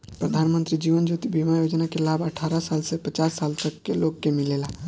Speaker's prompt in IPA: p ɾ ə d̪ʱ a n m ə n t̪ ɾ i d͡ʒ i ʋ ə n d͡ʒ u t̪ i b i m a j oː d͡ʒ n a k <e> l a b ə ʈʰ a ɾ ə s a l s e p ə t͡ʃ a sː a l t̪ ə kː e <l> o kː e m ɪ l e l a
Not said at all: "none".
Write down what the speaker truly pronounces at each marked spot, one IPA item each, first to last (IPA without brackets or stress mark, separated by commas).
e, l